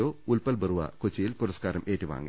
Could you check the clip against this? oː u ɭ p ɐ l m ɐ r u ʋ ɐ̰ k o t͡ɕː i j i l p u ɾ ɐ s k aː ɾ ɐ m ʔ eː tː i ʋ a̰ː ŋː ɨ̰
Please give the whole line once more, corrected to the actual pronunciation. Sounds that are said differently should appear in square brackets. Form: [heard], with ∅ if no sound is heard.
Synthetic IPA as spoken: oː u [l] p ɐ l [b] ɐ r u ʋ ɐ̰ k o t͡ɕː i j i l p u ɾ ɐ s k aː ɾ ɐ m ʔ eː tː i ʋ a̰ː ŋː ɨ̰